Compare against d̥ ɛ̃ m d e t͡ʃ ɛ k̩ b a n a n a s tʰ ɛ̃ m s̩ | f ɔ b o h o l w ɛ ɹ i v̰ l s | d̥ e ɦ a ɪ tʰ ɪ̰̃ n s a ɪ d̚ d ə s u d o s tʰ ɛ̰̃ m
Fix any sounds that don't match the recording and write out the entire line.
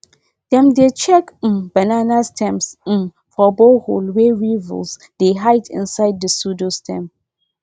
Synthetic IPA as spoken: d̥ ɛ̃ m d e t͡ʃ ɛ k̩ b a n a n a s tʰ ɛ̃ m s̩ | f ɔ b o h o l w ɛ ɹ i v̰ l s | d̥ e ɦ a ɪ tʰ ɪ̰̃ n s a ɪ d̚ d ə s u d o s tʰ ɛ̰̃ m